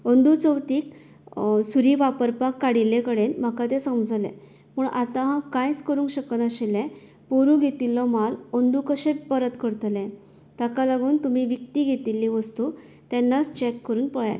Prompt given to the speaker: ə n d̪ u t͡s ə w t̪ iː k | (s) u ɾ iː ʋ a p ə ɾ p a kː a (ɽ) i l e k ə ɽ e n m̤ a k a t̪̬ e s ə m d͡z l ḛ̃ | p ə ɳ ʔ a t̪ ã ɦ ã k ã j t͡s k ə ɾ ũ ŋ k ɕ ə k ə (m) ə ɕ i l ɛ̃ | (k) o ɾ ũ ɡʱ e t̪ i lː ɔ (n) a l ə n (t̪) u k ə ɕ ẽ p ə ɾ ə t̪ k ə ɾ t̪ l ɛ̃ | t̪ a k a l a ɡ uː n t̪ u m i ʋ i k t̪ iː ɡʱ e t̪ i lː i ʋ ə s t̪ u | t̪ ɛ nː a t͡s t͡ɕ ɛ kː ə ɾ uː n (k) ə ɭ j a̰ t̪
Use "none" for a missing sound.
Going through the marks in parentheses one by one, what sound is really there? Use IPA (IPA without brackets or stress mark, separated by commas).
s, ɽ, n, p, m, d̪, p